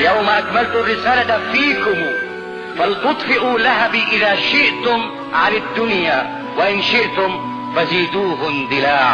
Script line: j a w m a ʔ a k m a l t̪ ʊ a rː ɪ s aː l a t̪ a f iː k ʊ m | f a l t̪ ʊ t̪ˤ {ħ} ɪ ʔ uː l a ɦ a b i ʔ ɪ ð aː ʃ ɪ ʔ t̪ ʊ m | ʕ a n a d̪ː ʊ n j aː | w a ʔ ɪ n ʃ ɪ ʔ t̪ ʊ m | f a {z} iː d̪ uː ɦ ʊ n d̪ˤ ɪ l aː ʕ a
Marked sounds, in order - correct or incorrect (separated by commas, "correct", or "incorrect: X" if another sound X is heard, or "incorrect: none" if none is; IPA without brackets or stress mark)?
incorrect: f, correct